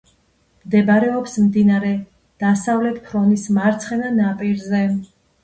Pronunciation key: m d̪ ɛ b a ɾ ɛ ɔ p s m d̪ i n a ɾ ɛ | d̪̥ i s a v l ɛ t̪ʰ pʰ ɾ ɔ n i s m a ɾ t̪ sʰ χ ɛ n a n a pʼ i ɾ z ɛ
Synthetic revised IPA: m d̪ ɛ b a ɾ ɛ ɔ p s m d̪ i n a ɾ ɛ | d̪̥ a s a v l ɛ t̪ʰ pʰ ɾ ɔ n i s m a ɾ t̪ sʰ χ ɛ n a n a pʼ i ɾ z ɛ